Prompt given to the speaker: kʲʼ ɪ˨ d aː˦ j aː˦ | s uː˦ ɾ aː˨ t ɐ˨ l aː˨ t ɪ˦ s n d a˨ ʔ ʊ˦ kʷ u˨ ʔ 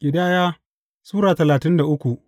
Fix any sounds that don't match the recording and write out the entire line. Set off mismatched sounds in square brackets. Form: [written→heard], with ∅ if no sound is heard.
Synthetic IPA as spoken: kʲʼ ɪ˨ d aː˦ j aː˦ | s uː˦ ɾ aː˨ t ɐ˨ l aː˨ t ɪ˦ [s→∅] n d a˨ ʔ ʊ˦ kʷ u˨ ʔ

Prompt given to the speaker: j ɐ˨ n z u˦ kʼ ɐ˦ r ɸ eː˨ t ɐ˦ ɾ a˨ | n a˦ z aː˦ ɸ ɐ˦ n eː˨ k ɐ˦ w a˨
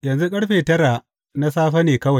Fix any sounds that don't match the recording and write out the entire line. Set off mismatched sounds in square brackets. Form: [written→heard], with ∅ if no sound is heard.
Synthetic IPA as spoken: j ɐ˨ n z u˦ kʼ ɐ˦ [r→ɽ] ɸ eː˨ t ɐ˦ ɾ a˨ | n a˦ [z→s] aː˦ ɸ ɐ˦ n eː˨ k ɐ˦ w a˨

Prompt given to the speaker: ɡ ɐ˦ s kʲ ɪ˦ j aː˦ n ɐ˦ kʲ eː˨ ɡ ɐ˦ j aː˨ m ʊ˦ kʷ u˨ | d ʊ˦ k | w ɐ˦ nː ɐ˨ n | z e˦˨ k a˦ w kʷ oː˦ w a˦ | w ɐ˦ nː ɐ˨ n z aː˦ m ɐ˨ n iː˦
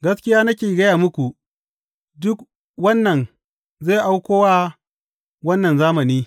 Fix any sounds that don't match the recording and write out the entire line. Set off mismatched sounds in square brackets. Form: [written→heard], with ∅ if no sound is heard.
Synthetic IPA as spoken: ɡ ɐ˦ s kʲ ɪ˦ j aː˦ n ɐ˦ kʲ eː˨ ɡ ɐ˦ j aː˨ m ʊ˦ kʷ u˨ | d ʊ˦ k | w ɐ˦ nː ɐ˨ n | z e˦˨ [k→ʔ] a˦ w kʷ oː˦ w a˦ | w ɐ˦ nː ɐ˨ n z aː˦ m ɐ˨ n iː˦

